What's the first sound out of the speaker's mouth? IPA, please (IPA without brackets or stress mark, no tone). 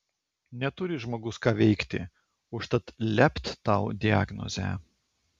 nʲ